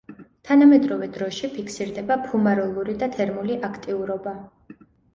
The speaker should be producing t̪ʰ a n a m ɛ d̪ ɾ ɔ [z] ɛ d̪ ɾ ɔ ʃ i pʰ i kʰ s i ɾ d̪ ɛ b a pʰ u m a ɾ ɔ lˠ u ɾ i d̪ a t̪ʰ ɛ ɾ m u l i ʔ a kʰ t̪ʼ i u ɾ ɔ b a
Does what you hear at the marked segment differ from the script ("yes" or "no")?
yes